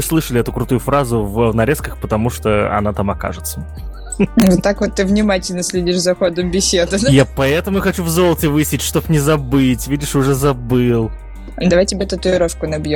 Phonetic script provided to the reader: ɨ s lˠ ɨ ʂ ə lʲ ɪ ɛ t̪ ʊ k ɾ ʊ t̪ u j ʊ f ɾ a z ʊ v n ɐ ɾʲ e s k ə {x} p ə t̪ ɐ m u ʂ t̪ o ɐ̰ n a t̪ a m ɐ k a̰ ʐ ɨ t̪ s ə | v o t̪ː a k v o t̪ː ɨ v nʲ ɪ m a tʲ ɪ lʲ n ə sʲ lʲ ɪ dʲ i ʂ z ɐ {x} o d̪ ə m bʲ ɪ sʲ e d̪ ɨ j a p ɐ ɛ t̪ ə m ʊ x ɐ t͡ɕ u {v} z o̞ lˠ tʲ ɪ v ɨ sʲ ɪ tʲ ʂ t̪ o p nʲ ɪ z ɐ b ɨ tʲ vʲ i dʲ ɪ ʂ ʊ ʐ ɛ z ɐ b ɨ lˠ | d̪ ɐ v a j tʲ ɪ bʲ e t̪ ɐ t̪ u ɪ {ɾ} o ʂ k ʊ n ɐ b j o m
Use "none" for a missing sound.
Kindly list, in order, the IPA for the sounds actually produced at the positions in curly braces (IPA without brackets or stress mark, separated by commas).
x, x, v, ɾ